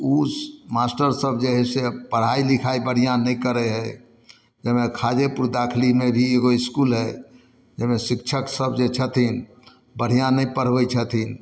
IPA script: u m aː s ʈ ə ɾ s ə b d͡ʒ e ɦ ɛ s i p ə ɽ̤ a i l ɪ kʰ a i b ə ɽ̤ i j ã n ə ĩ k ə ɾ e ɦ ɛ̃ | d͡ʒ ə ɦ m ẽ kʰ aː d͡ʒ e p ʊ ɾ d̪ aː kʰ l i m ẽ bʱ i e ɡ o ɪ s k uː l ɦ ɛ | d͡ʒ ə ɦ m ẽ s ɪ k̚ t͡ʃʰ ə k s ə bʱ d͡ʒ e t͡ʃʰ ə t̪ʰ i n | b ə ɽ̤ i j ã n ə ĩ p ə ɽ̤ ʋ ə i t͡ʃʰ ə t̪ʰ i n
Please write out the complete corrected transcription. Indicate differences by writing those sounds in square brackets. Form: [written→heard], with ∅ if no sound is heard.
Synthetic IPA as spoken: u m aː s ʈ ə ɾ s ə b d͡ʒ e ɦ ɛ s [i→e] p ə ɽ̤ a i l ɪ kʰ a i b ə ɽ̤ i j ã n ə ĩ k ə ɾ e ɦ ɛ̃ | d͡ʒ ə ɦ m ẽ kʰ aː d͡ʒ e p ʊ ɾ d̪ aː kʰ l i m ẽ bʱ i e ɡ o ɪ s k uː l ɦ ɛ | d͡ʒ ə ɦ m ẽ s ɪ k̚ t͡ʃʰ ə k s ə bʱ d͡ʒ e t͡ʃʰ ə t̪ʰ i n | b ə ɽ̤ i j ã n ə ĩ p ə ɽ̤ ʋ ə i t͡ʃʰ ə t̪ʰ i n